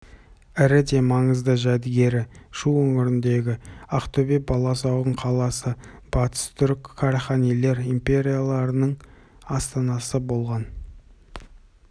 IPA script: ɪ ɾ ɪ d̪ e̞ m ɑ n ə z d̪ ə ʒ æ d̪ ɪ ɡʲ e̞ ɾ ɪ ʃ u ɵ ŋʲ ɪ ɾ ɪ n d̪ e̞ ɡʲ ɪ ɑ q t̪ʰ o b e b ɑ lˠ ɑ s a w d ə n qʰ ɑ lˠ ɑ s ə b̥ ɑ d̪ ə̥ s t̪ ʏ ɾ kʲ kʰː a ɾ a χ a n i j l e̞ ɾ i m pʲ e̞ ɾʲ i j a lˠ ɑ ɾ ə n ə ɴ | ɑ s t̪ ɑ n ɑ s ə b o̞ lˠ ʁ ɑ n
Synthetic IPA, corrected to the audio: ɪ ɾ ɪ d̪ e̞ m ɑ ɴ ə z d̪ ə ʒ æ d̪ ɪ ɡʲ e̞ ɾ ɪ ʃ u ɵ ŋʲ ɪ ɾ ɪ n d̪ e̞ ɡʲ ɪ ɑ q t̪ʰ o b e b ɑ lˠ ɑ s ɑ w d ə ɴ qʰ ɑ lˠ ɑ s ə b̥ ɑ t̪ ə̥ s t̪ʰ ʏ ɾ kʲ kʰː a ɾ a χ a n i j l e̞ ɾ i m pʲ e̞ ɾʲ i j a lˠ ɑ ɾ ə n ə ɴ | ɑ s t̪ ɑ n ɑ s ə b o̞ lˠ ʁ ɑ n